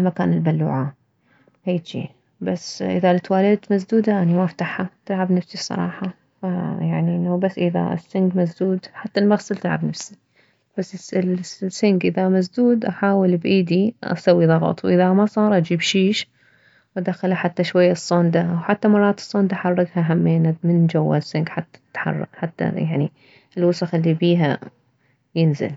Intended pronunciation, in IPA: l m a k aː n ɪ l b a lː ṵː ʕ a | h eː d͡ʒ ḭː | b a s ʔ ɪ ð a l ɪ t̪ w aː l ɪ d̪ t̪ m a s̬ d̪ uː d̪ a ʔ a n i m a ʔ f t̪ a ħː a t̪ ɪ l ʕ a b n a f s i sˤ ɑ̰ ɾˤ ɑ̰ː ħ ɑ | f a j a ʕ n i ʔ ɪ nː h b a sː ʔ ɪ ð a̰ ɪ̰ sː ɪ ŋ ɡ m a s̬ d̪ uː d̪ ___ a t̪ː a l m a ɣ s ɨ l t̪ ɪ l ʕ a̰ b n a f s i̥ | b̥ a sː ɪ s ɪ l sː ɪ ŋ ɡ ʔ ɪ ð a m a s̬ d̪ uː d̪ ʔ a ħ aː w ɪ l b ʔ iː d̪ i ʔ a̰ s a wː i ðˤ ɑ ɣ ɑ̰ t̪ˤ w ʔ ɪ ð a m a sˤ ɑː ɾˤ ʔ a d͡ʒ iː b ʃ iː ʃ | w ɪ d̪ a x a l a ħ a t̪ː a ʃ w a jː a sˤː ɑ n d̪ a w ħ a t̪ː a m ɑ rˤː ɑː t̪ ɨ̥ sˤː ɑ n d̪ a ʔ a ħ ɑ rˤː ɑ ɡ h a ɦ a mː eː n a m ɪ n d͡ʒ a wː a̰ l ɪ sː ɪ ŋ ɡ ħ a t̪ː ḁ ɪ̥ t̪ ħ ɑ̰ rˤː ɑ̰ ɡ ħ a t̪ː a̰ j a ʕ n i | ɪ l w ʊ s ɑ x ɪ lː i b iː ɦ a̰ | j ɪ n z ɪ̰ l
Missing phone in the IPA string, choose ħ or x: ħ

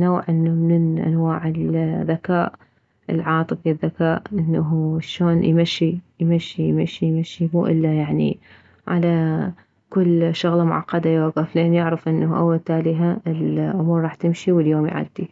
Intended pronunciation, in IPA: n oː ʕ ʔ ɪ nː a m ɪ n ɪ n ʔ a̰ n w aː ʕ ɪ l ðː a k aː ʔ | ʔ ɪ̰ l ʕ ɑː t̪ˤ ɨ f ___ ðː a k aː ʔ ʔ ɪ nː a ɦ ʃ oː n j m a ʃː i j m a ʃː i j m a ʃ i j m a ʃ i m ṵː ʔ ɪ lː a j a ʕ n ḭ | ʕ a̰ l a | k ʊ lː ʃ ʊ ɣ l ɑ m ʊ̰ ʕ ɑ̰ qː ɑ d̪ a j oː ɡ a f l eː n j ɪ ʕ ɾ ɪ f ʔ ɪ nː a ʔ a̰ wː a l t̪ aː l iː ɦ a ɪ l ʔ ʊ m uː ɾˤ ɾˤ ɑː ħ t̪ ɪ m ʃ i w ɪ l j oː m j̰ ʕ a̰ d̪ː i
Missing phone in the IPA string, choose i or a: i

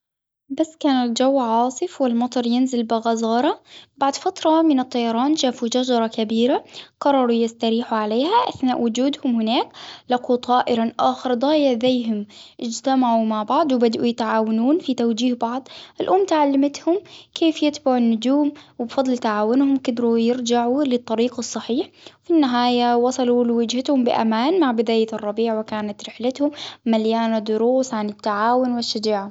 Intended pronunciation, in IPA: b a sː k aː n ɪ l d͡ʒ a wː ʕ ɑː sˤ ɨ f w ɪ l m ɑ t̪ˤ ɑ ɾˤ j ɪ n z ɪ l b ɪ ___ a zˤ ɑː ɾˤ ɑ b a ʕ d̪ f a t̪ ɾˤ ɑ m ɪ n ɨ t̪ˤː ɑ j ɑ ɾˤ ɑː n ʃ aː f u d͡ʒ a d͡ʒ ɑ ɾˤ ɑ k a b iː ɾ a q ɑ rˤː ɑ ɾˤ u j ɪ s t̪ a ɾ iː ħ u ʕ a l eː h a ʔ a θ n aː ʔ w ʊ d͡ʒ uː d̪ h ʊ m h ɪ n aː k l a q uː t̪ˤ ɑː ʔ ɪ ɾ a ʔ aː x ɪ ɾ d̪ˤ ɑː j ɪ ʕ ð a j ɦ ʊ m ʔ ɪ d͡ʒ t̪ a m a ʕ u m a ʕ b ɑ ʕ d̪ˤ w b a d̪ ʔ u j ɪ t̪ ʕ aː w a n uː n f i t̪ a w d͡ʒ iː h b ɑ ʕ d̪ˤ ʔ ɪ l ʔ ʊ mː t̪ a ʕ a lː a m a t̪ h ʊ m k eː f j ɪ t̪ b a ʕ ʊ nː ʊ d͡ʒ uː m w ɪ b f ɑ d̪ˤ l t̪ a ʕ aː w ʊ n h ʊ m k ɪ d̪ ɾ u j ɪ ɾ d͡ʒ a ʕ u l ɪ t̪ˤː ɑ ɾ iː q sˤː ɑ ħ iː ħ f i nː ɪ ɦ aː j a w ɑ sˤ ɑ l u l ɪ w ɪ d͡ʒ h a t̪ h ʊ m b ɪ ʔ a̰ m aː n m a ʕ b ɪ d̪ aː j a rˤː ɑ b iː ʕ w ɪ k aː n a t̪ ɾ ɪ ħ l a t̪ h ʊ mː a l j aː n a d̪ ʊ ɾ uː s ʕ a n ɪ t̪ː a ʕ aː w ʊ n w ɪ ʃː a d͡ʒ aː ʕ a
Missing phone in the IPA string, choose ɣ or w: ɣ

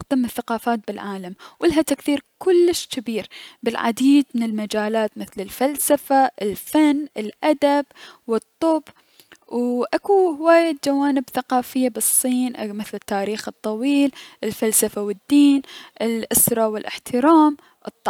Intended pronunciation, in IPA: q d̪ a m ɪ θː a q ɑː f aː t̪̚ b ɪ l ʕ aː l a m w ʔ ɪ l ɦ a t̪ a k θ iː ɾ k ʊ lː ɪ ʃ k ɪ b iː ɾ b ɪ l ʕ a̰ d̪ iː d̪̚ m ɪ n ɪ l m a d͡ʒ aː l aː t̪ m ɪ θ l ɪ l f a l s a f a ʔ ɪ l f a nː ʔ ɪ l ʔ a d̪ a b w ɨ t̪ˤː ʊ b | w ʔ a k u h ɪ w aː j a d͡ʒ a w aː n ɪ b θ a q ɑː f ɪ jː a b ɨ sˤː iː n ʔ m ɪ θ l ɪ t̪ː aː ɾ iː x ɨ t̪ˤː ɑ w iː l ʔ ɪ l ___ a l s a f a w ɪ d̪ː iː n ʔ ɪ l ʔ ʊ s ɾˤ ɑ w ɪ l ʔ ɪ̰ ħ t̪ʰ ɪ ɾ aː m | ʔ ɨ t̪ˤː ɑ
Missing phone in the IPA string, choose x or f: f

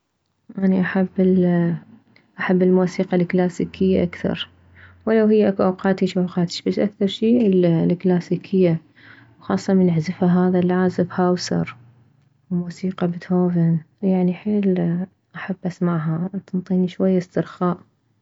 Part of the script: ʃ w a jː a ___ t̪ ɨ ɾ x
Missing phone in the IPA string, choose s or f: s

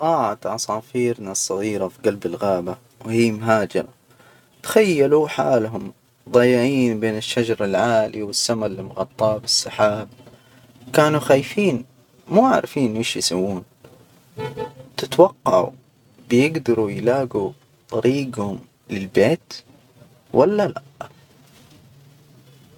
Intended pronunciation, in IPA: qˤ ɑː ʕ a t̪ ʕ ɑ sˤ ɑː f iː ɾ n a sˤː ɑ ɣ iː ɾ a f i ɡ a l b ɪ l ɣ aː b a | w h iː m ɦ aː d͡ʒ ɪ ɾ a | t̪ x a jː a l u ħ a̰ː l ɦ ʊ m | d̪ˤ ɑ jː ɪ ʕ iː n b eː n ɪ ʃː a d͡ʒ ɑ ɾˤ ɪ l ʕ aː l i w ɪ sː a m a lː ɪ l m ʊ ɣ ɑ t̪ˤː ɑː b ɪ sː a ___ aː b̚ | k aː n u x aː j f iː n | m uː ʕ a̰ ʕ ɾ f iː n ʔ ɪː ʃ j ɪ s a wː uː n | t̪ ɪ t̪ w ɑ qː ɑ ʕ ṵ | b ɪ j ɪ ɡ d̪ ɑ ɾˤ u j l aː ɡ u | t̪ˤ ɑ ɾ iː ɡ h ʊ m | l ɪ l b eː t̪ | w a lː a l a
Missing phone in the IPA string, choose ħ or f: ħ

